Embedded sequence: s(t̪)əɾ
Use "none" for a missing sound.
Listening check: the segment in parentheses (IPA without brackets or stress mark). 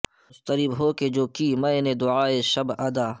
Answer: t̪